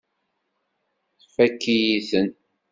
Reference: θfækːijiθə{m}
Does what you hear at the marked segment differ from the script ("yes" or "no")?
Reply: yes